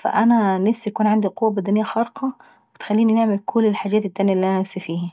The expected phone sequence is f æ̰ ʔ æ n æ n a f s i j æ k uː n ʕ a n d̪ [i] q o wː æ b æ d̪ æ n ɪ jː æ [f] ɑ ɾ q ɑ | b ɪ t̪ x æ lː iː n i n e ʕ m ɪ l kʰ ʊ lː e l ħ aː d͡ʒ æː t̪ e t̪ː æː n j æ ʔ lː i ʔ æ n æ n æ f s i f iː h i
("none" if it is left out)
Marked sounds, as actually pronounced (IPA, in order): i, x

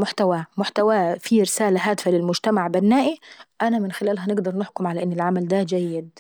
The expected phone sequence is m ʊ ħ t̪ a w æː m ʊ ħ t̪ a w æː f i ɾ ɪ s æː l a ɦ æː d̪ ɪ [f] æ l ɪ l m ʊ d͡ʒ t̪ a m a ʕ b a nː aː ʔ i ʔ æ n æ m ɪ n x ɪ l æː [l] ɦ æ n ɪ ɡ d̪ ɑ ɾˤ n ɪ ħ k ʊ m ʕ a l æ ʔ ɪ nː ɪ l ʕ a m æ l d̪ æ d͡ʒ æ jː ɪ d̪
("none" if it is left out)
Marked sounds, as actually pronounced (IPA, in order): f, l

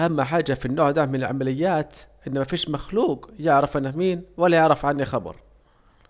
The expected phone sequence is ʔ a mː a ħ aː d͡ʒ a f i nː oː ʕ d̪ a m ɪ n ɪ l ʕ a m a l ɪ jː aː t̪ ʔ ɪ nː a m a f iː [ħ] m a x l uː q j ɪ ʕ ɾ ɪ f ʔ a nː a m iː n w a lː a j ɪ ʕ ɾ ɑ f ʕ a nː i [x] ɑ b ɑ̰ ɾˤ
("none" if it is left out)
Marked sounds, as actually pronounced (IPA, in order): ʃ, x

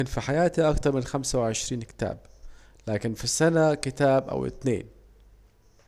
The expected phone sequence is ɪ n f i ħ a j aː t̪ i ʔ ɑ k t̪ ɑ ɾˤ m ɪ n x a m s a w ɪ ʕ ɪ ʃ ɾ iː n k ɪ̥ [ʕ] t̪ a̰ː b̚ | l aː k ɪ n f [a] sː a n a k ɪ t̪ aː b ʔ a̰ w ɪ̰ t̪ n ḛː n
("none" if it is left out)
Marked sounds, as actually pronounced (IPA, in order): none, i

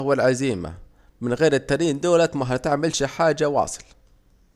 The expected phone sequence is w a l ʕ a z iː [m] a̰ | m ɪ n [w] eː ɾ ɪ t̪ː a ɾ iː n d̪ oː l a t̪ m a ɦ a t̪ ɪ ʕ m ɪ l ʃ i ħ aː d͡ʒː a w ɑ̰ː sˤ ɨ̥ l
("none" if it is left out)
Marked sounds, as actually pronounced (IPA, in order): m, ɣ

